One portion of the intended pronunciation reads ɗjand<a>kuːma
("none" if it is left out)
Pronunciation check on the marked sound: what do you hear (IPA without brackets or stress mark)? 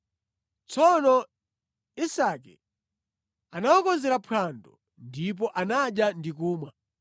i